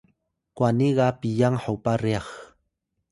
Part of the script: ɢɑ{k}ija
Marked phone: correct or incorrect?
incorrect